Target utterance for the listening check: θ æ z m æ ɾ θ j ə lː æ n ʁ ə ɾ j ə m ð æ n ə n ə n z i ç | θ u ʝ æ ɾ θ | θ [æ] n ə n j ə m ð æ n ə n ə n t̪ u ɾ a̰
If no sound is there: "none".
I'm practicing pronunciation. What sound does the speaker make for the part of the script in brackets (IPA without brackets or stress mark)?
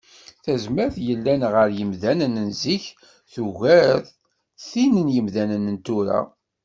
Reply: i